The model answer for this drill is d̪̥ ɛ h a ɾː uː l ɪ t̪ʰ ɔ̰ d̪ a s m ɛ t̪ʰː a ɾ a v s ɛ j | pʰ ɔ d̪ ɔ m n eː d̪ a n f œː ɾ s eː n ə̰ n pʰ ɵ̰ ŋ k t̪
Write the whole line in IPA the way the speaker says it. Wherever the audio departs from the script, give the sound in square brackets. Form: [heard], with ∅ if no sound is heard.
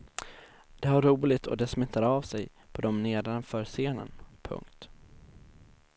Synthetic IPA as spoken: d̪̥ ɛ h a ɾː uː l ɪ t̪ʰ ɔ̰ d̪ [ɛ] s m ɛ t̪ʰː a ɾ a v s ɛ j | pʰ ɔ d̪ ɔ m n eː d̪ a n f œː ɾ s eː n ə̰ n pʰ ɵ̰ ŋ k t̪